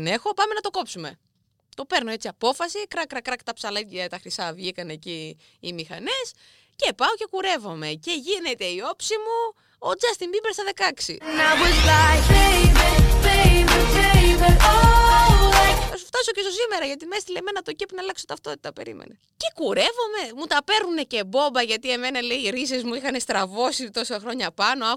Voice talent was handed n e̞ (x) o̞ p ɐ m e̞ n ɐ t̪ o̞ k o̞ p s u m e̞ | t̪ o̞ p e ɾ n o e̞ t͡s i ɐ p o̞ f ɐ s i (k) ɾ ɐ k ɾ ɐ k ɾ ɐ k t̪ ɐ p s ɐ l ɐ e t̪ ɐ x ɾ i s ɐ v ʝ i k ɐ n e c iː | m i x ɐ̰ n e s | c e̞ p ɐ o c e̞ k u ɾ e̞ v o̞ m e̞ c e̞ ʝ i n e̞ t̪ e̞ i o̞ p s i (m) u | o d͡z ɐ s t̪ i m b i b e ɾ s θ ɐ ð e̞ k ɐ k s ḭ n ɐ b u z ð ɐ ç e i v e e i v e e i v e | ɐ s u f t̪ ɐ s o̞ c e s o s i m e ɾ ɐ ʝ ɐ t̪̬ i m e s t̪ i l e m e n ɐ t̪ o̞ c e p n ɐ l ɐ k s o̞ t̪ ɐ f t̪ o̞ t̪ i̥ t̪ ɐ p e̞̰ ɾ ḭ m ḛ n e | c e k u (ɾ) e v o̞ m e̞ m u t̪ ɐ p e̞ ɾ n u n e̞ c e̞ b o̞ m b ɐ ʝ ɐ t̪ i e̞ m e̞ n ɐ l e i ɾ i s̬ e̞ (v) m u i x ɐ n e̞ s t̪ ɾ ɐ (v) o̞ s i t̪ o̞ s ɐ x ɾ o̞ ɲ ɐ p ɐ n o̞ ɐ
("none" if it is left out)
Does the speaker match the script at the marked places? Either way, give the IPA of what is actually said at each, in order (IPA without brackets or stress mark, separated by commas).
x, k, m, ɾ, z, v